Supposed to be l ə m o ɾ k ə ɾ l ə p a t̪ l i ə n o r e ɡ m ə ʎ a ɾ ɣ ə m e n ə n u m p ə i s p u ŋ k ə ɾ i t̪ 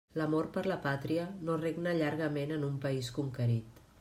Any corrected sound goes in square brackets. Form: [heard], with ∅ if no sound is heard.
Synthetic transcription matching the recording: l ə m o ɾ [p] ə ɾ l ə p a t̪ [ɾ] i ə n o r e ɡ [n] ə ʎ a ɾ ɣ ə m e n ə n u m p ə i s [k] u ŋ k ə ɾ i t̪